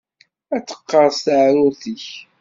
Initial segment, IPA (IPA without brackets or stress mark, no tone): æ